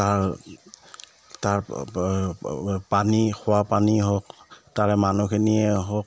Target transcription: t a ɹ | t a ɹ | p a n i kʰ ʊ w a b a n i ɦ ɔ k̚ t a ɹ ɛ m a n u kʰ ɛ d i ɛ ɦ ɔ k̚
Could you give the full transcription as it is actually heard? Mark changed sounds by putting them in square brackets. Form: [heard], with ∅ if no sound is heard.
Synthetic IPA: t a ɹ | t a ɹ | p a n i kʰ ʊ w a [p] a n i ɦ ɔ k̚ t a ɹ ɛ m a n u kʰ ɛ [n] i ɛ ɦ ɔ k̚